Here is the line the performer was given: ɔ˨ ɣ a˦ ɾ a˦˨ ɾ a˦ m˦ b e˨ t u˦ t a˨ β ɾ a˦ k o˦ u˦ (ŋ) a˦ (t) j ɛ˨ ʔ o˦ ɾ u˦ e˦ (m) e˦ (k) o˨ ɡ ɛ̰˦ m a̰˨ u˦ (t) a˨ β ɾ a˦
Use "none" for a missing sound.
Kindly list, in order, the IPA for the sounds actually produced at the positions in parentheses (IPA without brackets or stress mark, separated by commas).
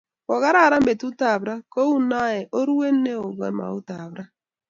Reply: n, none, n, none, t